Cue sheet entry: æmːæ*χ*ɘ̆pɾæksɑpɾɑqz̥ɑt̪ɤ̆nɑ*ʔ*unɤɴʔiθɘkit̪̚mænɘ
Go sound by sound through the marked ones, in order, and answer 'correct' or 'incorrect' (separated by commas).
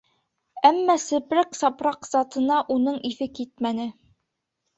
incorrect, correct